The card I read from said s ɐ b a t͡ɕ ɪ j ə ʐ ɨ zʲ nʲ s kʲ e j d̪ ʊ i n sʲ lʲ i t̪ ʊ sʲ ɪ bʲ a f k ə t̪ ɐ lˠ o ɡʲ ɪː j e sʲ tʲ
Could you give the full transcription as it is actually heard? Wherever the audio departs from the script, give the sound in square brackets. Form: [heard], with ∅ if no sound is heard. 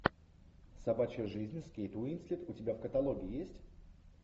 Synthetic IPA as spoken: s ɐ b a t͡ɕ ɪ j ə ʐ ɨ zʲ nʲ s kʲ e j [t̪] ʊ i n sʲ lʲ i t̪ ʊ [tʲ] ɪ bʲ a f k ə t̪ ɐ lˠ o ɡʲ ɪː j e sʲ tʲ